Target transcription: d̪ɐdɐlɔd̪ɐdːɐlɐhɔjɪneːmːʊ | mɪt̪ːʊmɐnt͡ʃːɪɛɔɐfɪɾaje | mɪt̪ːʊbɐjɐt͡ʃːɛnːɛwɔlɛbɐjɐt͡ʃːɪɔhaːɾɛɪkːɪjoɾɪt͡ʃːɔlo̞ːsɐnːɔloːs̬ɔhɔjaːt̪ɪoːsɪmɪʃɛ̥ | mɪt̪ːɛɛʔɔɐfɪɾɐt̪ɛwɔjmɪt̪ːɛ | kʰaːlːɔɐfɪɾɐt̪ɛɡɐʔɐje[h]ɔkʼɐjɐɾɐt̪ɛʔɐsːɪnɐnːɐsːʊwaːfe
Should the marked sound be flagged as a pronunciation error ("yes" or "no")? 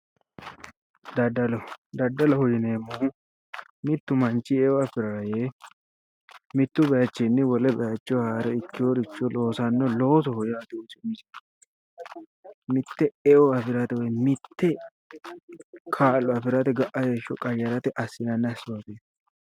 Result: yes